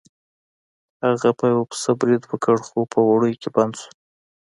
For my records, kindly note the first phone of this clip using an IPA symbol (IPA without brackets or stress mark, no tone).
h